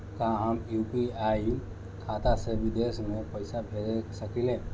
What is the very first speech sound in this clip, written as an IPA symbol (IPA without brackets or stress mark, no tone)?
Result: k